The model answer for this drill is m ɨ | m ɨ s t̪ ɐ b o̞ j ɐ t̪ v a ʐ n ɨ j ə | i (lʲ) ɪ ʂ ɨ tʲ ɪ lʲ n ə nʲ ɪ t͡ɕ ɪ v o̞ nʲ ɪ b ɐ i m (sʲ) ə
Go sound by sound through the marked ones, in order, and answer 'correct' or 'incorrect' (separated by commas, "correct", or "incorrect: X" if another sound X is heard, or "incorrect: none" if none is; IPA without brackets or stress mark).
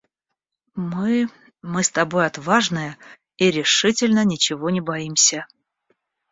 incorrect: ɾʲ, correct